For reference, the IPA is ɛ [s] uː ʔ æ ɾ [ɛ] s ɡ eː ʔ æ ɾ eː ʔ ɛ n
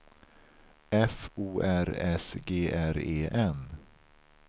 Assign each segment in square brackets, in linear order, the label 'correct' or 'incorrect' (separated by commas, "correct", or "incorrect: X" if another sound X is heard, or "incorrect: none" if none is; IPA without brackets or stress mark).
incorrect: f, correct